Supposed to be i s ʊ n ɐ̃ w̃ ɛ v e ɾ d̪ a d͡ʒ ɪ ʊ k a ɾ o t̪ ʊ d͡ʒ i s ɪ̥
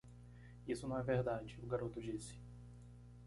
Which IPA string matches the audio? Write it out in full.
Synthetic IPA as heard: i s ʊ n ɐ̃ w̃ ɛ v e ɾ d̪ a d͡ʒ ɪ ʊ ɡ a ɾ o t̪ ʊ d͡ʒ i s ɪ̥

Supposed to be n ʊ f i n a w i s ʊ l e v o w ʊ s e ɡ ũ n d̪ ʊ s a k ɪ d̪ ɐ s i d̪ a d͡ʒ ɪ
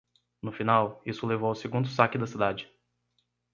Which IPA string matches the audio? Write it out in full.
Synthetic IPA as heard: n ʊ f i n a w i s ʊ l e v o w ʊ s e ɡ ũ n d̪ ʊ s a k ɪ d̪ ɐ s i d̪ a d͡ʒ ɪ

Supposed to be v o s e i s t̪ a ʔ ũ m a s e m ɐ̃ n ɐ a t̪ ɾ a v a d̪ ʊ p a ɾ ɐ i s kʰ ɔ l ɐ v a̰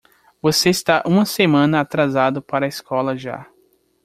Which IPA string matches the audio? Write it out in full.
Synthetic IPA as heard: v o s e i s t̪ a ʔ ũ m ɐ s e m ɐ̃ n ɐ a t̪ ɾ a z a d̪ ʊ p a ɾ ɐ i s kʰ ɔ l ɐ ʒ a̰

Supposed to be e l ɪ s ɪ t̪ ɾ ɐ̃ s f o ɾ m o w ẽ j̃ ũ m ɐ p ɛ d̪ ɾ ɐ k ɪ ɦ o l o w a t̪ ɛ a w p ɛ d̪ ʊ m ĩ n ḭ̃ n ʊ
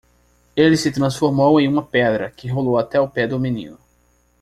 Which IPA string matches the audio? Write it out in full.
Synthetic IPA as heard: e l ɪ s ɪ t̪ ɾ ɐ̃ s f o ɾ m o w ẽ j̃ ũ m ɐ p ɛ d̪ ɾ ɐ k ɪ ɦ o l o w a t̪ ɛ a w p ɛ d̪ ʊ m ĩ n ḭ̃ n ʊ

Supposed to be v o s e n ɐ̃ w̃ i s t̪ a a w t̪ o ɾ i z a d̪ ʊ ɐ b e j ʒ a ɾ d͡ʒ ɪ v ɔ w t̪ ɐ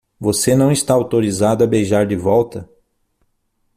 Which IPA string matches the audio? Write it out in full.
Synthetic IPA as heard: v o s e n ɐ̃ w̃ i s t̪ a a w t̪ o ɾ i z a d̪ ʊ ɐ b e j ʒ a ɾ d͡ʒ ɪ v ɔ w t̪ ɐ

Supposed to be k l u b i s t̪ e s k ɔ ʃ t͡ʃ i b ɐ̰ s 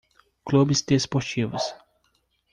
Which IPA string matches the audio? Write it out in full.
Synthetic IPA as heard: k l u b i s t̪ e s p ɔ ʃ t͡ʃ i v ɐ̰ s

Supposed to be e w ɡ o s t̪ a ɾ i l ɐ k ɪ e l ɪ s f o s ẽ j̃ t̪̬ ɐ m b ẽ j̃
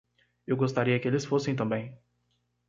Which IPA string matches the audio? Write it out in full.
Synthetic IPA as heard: e w ɡ o s t̪ a ɾ i ɐ k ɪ e l ɪ s f o s ẽ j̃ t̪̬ ɐ̃ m b ẽ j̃

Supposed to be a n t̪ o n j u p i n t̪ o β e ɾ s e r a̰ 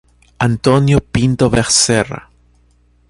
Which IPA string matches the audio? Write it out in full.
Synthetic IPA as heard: a n t̪ o n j o p i n t̪ o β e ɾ s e r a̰

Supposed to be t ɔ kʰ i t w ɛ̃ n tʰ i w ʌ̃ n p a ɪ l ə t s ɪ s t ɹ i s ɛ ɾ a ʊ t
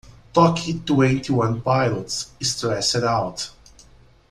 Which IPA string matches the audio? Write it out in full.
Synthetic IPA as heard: t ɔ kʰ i t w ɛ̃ n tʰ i w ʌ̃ n p a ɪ l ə t s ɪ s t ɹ ɛ s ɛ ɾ a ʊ t

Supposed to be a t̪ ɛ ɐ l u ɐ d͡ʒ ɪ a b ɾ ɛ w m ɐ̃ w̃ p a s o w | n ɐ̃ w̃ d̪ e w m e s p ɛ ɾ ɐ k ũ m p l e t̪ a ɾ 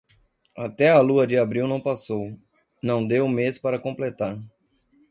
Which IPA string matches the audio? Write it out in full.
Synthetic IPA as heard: a t̪ ɛ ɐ l u ɐ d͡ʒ ɪ a b ɾ i w n ɐ̃ w̃ p a s o w | n ɐ̃ w̃ d̪ e w m e s p a ɾ ɐ k õ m p l e t̪ a ɾ

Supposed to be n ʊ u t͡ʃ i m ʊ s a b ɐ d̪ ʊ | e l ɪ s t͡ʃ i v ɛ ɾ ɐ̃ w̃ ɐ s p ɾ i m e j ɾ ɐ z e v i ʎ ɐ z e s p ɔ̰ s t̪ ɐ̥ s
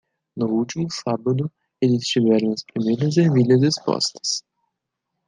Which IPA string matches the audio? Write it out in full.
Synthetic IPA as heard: n ʊ u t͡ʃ i m ʊ s a b ɐ d̪ ʊ | e l ɪ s t͡ʃ i v ɛ ɾ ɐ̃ w̃ ɐ s p ɾ i m e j ɾ ɐ z e v i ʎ ɐ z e s p ɔ̰ s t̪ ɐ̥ s

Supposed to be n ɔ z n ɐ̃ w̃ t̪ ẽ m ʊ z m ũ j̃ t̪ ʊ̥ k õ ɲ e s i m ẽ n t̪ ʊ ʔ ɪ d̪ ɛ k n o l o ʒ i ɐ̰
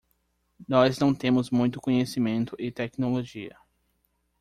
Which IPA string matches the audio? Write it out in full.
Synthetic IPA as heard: n ɔ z n ɐ̃ w̃ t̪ ẽ m ʊ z m ũ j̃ t̪ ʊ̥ k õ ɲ e s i m ẽ n t̪ ʊ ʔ ɪ t̪ ɛ k n o l o ʒ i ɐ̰

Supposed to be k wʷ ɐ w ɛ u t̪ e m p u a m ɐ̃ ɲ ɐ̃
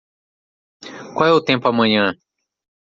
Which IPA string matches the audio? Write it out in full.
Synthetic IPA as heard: k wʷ a w ɛ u t̪ ẽ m p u a m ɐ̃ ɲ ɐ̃

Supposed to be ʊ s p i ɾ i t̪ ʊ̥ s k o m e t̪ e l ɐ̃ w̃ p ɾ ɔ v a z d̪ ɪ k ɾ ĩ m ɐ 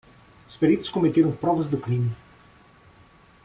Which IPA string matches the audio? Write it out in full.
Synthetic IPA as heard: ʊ s p e ɾ i t̪ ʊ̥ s k o m e t̪ e ɾ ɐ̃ w̃ p ɾ ɔ v ɐ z d̪ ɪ k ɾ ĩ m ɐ

